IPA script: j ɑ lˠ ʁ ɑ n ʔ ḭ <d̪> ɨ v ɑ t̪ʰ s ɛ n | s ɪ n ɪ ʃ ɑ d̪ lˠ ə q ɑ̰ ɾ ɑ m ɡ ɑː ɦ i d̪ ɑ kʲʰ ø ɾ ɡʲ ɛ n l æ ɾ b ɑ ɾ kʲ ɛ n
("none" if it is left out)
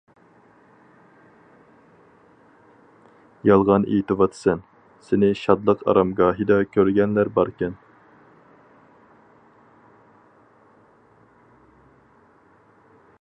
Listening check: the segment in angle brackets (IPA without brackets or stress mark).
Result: t̪